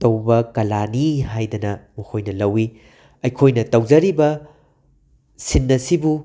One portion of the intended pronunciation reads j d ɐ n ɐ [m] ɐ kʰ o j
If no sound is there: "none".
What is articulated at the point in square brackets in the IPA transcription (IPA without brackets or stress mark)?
m